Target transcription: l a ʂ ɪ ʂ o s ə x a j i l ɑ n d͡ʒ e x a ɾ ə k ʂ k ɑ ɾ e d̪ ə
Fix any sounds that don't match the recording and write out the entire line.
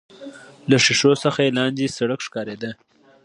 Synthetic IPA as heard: l a ʂ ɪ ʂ o s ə x a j e l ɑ n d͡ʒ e s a ɽ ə k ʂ k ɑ ɾ e d̪ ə